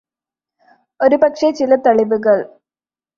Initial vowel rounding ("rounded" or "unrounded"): rounded